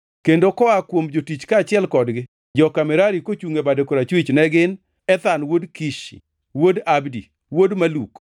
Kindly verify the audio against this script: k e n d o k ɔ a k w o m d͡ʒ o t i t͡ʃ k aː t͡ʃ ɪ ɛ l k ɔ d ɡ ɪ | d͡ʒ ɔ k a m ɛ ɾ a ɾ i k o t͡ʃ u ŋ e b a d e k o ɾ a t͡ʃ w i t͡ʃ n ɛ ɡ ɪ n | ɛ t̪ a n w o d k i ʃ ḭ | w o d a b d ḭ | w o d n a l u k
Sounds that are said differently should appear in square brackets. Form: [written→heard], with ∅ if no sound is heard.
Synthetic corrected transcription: k e n d o k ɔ a k w o m d͡ʒ o t i t͡ʃ k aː t͡ʃ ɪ ɛ l k ɔ d ɡ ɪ | d͡ʒ ɔ k a m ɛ ɾ a ɾ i k o t͡ʃ u ŋ e b a d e k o ɾ a t͡ʃ w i t͡ʃ n ɛ ɡ ɪ n | ɛ t̪ a n w o d k i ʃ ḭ | w o d a b d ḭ | w o d [n→m] a l u k